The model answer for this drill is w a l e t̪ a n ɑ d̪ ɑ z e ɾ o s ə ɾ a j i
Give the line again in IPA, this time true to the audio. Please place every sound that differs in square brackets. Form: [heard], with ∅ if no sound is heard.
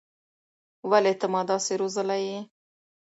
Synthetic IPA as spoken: w a l e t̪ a [m] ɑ d̪ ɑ [s] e ɾ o [z] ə [l] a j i

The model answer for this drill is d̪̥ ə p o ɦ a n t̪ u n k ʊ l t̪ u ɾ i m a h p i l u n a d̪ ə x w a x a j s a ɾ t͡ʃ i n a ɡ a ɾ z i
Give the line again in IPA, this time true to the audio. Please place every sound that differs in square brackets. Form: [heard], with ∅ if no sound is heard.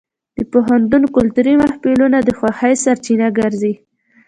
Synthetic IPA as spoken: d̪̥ ə p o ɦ a n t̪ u n k ʊ l t̪ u ɾ i m a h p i l u n a d̪ ə x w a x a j s a ɾ t͡ʃ i n a ɡ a ɾ z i

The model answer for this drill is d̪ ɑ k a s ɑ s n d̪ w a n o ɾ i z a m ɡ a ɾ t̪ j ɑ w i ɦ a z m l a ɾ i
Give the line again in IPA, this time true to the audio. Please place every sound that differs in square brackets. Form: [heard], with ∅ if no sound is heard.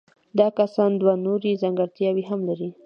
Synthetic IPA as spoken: d̪ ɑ k a s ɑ [∅] n d̪ w a n o ɾ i z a [ŋ] ɡ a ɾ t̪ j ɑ w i ɦ a [∅] m l a ɾ i

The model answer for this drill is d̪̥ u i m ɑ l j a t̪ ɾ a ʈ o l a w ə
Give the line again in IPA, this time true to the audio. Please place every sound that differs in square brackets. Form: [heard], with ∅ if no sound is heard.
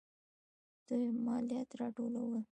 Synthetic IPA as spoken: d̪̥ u [j] m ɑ l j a t̪ ɾ [ɑ] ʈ o l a w ə

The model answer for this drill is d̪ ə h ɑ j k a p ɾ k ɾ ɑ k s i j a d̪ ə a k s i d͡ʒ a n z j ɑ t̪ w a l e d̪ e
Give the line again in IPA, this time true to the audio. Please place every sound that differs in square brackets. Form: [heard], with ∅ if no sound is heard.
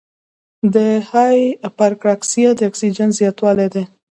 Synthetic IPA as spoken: d̪ ə h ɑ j [p] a [∅] ɾ k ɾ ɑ k s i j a d̪ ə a k s i d͡ʒ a n z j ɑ t̪ w [ɑ] l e d̪ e

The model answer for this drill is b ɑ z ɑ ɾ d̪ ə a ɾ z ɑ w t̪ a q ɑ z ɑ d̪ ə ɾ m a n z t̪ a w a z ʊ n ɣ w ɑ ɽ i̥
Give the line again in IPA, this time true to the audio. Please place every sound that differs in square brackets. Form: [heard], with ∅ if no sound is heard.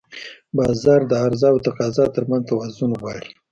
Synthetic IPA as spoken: b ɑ z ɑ ɾ d̪ ə a ɾ z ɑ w t̪ a q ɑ z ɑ [t̪] ə ɾ m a n z t̪ a w a z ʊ n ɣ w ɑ ɽ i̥

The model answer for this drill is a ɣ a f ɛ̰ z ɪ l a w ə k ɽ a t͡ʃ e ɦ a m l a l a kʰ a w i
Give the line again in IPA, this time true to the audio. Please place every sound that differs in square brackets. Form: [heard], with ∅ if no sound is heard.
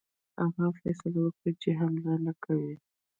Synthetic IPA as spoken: a ɣ a f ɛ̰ [s] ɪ l a w ə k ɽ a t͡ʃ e ɦ a m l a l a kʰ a w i

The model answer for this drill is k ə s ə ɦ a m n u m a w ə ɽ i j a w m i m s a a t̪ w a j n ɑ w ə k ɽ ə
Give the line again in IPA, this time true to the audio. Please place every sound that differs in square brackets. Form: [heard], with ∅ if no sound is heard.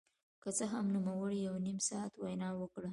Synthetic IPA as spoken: k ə [t͡s] ə ɦ a m n u m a w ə ɽ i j a w [n] i m s [ɑ] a t̪ w a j n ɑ w ə k ɽ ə

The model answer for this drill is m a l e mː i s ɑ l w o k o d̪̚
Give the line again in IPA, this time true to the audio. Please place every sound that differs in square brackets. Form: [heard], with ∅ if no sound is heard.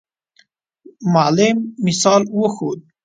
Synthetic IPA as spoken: m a l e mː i s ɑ l w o [x] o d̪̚

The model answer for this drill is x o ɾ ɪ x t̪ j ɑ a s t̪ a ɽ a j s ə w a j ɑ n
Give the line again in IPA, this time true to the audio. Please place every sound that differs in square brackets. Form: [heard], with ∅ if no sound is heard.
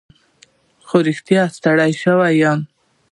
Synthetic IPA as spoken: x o ɾ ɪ x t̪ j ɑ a s t̪ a ɽ a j [ʃ] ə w a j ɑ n

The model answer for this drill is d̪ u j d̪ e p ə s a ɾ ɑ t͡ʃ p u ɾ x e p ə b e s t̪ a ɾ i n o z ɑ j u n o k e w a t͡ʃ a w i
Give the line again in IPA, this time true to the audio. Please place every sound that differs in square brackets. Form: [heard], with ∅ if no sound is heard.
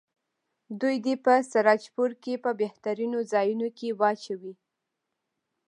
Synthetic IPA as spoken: d̪ u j d̪ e p ə s a ɾ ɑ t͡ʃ p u ɾ [k] e p ə b e [h] t̪ a ɾ i n o z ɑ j u n o k e w [ɑ] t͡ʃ a w i

